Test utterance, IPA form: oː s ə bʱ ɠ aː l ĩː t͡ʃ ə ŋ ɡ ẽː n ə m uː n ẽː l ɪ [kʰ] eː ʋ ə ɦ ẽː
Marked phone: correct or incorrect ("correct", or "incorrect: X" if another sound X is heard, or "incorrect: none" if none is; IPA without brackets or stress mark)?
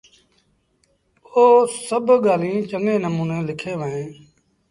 correct